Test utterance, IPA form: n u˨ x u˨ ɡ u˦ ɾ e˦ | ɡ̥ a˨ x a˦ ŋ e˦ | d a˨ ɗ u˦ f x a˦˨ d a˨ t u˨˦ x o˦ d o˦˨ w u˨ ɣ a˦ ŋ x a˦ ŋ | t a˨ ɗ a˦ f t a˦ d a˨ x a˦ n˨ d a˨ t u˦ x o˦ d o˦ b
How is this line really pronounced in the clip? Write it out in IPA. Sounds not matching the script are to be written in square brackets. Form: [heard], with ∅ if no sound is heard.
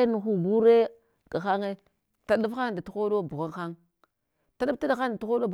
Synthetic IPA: n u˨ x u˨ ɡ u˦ ɾ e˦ | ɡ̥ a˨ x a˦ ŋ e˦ | [t] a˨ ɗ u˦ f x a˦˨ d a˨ t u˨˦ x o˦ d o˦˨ [b] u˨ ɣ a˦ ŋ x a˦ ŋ | t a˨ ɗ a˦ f t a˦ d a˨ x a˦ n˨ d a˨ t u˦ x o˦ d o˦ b